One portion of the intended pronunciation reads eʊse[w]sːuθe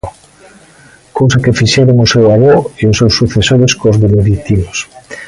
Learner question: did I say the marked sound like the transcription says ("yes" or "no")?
yes